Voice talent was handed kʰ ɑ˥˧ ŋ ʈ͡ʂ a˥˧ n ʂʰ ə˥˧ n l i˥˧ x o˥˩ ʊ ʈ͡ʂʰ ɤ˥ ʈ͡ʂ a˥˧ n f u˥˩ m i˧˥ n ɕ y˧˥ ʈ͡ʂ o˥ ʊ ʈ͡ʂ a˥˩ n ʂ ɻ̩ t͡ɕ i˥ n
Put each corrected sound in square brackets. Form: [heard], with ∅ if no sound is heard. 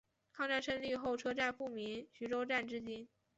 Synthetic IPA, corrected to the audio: kʰ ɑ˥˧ ŋ ʈ͡ʂ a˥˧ n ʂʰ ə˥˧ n l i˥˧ x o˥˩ ʊ ʈ͡ʂʰ ɤ˥ ʈ͡ʂ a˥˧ n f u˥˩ m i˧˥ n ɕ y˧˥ ʈ͡ʂ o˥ ʊ ʈ͡ʂ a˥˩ n [ʈ͡ʂ] ɻ̩ t͡ɕ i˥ n